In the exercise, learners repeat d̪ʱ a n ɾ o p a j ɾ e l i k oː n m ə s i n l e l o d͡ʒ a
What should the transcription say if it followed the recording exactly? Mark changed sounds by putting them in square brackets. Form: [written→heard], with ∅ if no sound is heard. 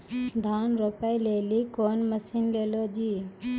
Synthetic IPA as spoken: d̪ʱ a n ɾ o p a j [ɾ→l] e l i k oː n m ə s i n l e l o d͡ʒ [a→i]